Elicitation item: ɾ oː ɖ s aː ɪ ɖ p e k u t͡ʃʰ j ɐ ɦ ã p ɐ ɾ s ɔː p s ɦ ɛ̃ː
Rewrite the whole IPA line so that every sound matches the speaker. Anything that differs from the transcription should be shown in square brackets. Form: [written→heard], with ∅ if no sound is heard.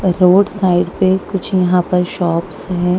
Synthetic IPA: ɾ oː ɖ s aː ɪ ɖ p e k [u→ʊ] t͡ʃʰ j ɐ ɦ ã p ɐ ɾ [s→ʃ] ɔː p s ɦ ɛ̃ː